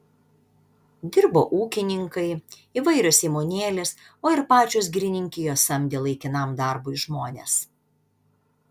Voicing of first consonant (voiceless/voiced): voiced